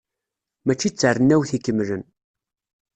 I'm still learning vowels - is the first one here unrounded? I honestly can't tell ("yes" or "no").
yes